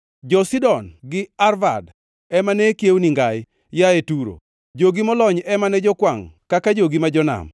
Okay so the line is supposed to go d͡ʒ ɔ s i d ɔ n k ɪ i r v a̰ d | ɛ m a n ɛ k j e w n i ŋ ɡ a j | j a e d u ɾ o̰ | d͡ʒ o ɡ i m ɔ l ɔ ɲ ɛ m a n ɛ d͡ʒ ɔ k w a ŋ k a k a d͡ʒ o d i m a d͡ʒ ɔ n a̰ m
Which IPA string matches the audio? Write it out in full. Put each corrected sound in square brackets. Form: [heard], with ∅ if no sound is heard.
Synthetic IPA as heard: d͡ʒ ɔ s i d ɔ n [ɡ] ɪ [a] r v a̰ d | ɛ m a n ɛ k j e w n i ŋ ɡ a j | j a e [t] u ɾ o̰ | d͡ʒ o ɡ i m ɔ l ɔ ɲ ɛ m a n ɛ d͡ʒ ɔ k w a ŋ k a k a d͡ʒ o [ɡ] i m a d͡ʒ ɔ n a̰ m